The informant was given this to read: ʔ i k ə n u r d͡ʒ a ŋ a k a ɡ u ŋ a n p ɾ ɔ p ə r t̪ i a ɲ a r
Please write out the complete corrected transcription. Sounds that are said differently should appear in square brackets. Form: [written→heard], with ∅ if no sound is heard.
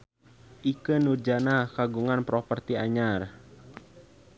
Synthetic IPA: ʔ i k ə n u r d͡ʒ a [ŋ→n] a k a ɡ u ŋ a n p ɾ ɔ p ə r t̪ i a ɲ a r